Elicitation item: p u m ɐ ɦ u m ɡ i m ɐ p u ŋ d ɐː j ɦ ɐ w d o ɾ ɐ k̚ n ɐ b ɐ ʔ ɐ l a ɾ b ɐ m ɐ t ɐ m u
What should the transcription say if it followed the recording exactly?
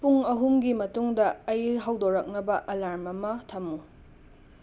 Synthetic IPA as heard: p u ŋ ɐ ɦ u m ɡ i m ɐ t u ŋ d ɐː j ɦ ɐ w d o ɾ ɐ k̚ n ɐ b ɐ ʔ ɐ l a ɾ m ɐ m ɐ tʰ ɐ m u

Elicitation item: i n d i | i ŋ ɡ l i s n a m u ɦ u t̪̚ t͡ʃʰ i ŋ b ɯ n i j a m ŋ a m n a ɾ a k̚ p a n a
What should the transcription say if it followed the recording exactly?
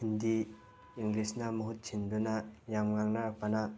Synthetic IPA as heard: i n d i | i ŋ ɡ l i s n a m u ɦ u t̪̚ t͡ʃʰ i n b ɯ n a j a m ŋ a ŋ n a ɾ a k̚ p a n a

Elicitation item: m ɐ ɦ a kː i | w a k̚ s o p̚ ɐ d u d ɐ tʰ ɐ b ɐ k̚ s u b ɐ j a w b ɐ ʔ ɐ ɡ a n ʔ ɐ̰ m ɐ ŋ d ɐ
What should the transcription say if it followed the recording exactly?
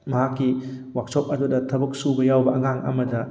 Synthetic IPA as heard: m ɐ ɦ a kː i | w a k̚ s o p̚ ɐ d u d ɐ tʰ ɐ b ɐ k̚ s u b ɐ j a w b ɐ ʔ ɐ ŋ a ŋ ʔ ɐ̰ m ɐ d ɐ

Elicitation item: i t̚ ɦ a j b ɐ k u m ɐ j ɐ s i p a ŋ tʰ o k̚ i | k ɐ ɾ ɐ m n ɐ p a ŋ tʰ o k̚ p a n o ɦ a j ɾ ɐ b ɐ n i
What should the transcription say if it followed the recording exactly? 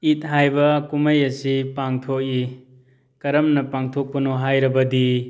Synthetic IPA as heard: i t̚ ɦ a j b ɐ k u m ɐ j ɐ s i p a ŋ tʰ o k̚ i | k ɐ ɾ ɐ m n ɐ p a ŋ tʰ o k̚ p ɐ n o ɦ a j ɾ ɐ b ɐ d i

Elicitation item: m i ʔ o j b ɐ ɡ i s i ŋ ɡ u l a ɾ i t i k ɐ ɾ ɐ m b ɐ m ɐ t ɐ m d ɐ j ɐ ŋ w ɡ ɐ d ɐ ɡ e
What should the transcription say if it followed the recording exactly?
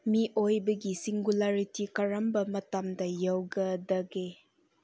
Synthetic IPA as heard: m i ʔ o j b ɐ ɡ i s i ŋ ɡ u l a ɾ i t i k ɐ ɾ ɐ m b ɐ m ɐ t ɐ m d ɐ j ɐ w ɡ ɐ d ɐ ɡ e

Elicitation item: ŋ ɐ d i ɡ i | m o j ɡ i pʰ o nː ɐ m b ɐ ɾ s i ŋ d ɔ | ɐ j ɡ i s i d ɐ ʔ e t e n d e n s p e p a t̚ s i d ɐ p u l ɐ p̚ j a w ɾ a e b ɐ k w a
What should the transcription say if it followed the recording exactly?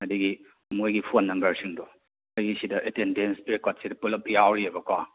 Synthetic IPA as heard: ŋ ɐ d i ɡ i | m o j ɡ i pʰ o nː ɐ m b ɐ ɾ s i ŋ d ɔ | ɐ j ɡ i s i d ɐ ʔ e t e n d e n s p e k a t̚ s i d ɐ p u l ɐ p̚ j a w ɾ i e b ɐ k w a

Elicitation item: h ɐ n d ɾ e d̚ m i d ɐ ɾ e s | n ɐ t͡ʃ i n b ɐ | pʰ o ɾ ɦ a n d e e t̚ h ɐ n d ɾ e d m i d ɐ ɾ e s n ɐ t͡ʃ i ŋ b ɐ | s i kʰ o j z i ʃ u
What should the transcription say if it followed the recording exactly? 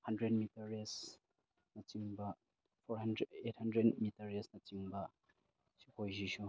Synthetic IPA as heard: h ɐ n d ɾ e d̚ m i t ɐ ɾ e s | n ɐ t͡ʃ i ŋ b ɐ | pʰ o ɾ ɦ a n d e e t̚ h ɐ n d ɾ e d m i t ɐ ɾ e s n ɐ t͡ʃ i ŋ b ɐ | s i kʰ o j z i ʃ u

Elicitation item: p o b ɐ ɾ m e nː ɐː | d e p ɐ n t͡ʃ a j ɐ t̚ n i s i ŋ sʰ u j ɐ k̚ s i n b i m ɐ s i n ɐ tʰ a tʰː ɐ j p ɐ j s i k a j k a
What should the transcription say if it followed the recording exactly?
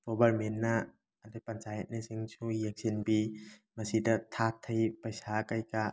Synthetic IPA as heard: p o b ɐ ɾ m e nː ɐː | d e p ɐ n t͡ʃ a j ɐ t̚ n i s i ŋ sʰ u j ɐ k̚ s i n b i m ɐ s i d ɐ tʰ a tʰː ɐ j p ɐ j s a k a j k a

